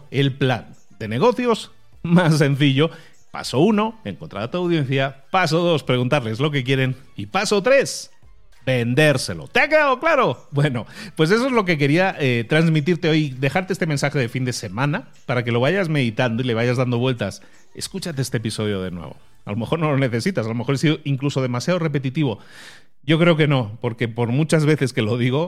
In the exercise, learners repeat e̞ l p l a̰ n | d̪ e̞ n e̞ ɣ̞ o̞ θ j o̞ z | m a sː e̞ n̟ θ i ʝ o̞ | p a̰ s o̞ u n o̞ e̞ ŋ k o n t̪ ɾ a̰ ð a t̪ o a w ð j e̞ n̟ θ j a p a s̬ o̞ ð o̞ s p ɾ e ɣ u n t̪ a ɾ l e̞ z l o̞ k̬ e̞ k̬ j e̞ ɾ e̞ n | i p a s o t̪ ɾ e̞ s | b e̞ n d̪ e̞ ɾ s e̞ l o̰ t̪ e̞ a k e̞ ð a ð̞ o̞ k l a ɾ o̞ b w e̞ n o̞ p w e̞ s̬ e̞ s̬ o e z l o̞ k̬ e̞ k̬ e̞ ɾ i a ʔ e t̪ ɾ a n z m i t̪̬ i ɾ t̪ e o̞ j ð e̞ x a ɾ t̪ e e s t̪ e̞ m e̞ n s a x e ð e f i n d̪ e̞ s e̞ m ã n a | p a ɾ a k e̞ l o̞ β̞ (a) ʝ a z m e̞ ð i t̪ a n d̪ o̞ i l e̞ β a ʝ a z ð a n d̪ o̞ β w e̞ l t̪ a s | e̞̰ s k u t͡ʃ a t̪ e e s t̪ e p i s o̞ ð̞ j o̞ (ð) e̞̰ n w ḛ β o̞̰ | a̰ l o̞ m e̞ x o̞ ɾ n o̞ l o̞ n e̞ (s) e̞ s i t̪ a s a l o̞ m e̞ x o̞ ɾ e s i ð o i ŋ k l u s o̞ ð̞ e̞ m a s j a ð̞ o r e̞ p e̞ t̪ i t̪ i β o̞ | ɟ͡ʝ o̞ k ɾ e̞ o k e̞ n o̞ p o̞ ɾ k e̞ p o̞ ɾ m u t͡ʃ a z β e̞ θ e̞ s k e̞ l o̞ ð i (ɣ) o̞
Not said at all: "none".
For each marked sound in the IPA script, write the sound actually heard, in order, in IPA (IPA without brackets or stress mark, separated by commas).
a, ð, θ, ɣ